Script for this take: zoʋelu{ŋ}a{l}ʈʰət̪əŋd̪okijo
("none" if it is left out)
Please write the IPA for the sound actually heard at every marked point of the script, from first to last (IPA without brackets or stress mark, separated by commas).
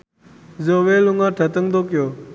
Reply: ŋ, none